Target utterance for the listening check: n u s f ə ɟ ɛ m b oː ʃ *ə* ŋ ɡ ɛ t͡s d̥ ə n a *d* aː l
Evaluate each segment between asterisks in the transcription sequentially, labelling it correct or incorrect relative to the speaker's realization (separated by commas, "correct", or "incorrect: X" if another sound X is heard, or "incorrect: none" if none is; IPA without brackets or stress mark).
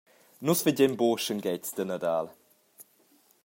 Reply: correct, correct